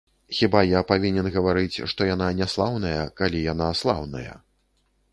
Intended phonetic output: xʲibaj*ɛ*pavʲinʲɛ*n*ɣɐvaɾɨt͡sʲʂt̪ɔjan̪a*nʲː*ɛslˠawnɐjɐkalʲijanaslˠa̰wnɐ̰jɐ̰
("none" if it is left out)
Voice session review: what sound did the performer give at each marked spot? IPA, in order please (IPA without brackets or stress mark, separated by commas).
a, n, nʲ